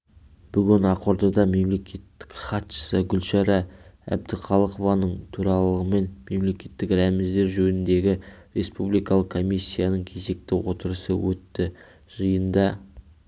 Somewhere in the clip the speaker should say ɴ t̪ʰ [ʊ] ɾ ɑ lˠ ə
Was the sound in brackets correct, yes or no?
no